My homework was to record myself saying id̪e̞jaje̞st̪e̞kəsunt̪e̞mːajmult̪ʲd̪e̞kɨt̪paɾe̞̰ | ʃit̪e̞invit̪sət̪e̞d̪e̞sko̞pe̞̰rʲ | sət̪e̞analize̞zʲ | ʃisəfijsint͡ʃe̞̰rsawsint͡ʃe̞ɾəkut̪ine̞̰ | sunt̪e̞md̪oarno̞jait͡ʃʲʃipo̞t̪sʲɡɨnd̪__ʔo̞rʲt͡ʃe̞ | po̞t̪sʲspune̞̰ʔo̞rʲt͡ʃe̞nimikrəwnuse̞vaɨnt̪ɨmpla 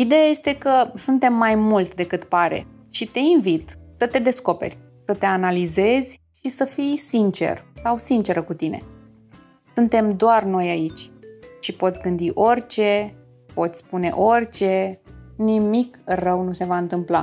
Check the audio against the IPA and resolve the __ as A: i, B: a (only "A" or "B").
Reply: A